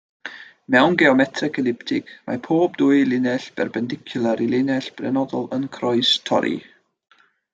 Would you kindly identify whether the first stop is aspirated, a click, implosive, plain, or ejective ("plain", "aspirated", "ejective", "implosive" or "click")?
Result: plain